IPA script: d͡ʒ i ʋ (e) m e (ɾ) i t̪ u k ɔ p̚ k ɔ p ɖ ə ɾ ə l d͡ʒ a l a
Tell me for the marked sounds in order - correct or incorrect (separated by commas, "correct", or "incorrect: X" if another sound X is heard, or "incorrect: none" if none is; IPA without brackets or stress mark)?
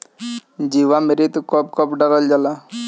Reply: incorrect: a, correct